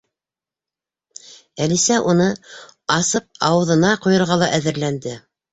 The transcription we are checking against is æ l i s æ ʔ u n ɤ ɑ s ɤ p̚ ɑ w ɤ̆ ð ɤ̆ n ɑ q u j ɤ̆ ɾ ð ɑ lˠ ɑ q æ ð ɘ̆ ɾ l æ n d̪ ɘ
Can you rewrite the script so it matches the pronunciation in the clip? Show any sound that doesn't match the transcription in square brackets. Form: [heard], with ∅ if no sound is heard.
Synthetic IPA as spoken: æ l i s æ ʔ u n ɤ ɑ s ɤ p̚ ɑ w ɤ̆ ð ɤ̆ n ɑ q u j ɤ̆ ɾ [ʁ] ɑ lˠ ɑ [ʔ] æ ð ɘ̆ ɾ l æ n d̪ ɘ